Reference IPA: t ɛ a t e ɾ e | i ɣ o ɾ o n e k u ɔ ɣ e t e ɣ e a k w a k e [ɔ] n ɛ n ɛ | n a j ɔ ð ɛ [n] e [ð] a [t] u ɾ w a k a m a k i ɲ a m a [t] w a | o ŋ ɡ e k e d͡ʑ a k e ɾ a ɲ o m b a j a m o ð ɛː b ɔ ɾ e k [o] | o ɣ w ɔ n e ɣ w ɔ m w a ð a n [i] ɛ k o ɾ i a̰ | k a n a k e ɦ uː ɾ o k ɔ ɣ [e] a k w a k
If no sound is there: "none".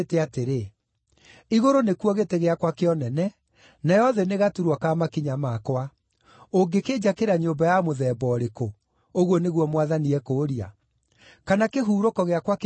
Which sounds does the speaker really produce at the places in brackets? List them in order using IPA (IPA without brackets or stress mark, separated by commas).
ɔ, n, ɣ, t, k, o, i, e